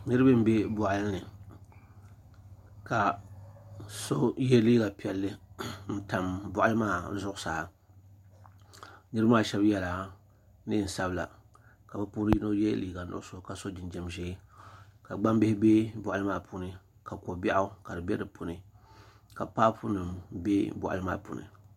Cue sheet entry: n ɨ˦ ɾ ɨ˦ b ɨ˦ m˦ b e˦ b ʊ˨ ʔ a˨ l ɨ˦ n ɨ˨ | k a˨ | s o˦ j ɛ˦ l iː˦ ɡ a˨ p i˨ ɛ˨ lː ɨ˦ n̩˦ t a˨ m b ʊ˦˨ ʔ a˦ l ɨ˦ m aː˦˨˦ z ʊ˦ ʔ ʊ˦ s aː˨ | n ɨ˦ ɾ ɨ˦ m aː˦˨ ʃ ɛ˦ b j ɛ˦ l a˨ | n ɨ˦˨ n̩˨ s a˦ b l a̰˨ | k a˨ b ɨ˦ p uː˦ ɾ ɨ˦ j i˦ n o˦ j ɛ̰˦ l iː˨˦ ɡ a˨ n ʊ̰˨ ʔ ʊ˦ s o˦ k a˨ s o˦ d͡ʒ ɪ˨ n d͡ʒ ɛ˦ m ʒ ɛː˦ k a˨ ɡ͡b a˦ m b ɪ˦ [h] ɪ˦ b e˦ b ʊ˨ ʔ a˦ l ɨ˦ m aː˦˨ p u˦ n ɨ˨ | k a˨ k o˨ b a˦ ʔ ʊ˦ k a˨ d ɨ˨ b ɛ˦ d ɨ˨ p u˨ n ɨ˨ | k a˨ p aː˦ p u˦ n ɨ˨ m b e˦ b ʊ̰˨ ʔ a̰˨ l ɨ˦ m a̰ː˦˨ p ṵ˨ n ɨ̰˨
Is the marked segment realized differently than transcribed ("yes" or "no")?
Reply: no